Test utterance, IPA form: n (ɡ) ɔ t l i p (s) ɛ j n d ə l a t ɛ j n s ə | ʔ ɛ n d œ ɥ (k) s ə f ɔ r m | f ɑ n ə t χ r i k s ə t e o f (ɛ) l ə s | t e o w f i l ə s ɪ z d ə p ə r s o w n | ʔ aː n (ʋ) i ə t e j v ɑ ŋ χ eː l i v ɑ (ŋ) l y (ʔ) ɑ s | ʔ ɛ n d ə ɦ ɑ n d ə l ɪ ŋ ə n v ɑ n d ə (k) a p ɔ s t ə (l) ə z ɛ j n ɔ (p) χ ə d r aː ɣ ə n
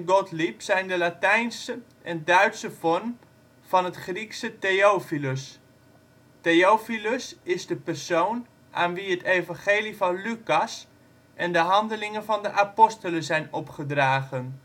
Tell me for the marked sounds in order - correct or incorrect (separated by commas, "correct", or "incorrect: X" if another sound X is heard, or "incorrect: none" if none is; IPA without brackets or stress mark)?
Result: correct, correct, incorrect: t, incorrect: i, correct, incorrect: n, incorrect: k, incorrect: ʔ, correct, correct